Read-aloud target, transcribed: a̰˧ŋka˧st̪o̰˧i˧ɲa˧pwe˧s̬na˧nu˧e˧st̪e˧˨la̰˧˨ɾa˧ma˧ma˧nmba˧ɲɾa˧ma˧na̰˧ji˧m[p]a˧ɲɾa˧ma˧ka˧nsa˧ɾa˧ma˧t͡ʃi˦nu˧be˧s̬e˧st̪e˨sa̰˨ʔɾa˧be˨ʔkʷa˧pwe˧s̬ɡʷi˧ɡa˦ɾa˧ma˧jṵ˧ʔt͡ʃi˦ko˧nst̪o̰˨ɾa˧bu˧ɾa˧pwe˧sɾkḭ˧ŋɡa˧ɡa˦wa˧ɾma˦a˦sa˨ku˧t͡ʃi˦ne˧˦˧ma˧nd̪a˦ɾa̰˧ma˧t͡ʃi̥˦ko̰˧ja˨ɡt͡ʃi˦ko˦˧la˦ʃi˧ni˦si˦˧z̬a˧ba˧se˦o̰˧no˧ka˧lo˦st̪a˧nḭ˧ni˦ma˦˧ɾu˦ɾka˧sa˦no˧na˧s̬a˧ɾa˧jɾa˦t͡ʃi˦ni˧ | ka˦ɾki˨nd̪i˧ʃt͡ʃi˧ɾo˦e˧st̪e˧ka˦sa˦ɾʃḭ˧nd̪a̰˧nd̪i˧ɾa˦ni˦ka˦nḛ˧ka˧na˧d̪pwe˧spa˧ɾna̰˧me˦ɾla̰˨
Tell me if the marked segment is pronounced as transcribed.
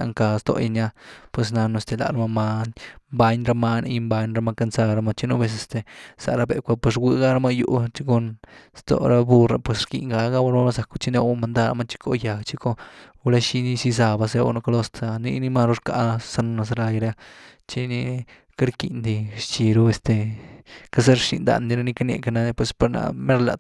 no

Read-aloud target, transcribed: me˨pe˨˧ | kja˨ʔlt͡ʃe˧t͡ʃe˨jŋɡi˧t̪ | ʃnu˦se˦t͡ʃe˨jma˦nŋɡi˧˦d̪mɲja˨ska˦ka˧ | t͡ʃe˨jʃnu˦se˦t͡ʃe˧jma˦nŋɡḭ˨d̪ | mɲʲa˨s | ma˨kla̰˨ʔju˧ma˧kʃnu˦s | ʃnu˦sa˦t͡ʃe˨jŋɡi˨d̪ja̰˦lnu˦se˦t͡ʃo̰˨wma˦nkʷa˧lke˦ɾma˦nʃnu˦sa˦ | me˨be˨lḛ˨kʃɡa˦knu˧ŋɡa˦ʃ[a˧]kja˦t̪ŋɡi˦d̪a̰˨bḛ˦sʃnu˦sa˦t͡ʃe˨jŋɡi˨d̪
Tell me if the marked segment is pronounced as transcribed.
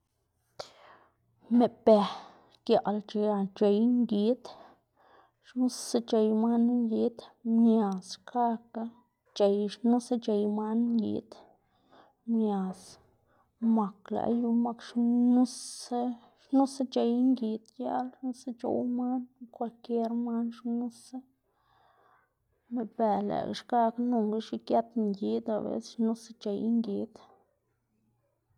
no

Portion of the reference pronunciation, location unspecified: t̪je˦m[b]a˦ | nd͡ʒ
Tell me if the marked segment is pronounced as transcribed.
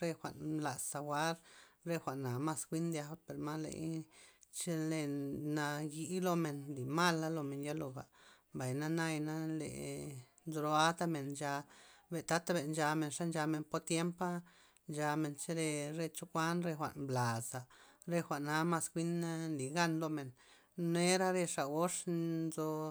no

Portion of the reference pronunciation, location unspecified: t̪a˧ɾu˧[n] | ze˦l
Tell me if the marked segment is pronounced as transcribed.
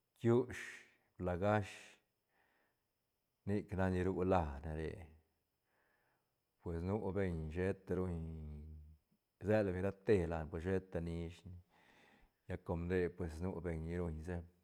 no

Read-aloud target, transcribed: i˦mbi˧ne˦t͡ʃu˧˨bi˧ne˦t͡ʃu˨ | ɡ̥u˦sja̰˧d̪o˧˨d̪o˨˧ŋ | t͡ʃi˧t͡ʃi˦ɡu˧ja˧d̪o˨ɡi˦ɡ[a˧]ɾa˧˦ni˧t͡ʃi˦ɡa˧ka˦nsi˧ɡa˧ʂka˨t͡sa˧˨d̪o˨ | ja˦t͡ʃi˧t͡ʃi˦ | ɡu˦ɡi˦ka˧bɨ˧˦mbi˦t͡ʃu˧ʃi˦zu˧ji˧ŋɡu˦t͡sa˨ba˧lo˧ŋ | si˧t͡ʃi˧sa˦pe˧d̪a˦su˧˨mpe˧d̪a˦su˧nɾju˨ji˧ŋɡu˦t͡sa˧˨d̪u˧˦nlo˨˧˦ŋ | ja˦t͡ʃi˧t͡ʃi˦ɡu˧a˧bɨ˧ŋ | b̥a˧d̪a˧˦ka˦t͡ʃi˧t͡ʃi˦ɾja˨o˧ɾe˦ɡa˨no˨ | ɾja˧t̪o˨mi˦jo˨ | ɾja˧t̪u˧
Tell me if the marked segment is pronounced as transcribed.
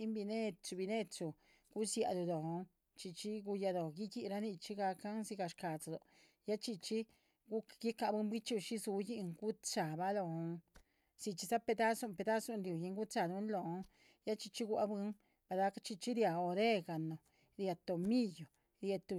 no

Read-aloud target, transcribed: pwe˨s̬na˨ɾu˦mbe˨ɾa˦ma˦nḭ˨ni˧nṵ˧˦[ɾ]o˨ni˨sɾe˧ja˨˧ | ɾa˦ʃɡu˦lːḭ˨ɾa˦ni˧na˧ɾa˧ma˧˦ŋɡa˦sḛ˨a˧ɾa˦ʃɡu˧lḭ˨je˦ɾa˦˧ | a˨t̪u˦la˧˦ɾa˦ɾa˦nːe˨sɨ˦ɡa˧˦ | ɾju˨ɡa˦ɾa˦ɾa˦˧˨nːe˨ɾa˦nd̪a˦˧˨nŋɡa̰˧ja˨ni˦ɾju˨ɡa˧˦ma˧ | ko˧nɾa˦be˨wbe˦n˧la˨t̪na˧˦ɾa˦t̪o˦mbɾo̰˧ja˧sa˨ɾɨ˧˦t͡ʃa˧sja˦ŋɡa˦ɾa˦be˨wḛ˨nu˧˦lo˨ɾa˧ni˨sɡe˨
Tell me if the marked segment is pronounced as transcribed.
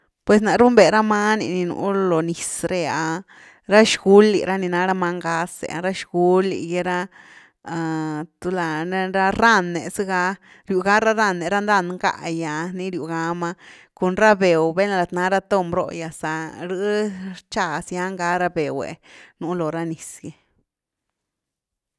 no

